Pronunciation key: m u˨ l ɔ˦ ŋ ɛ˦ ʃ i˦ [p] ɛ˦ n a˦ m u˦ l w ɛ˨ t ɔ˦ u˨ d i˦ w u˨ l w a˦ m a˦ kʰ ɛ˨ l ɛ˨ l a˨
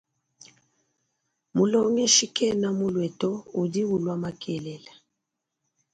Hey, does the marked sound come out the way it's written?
no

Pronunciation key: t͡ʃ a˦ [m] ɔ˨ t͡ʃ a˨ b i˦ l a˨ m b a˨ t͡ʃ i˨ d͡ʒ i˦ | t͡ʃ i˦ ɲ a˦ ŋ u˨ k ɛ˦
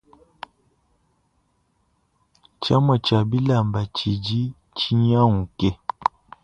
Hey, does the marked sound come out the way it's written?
yes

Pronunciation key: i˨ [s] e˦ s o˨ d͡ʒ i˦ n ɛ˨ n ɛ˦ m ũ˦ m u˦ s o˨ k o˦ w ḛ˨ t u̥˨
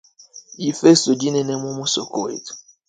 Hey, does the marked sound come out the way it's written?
no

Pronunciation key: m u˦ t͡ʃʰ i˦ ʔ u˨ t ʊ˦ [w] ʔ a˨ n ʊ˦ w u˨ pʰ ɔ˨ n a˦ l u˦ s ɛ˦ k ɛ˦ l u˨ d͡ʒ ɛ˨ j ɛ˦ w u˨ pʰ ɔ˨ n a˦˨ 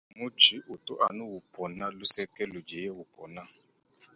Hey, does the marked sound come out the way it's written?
no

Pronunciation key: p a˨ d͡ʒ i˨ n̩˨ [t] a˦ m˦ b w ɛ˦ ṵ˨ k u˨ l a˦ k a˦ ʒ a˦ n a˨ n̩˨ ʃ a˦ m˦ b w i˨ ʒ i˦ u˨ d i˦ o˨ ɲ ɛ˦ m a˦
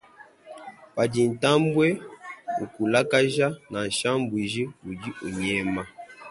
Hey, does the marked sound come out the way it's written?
yes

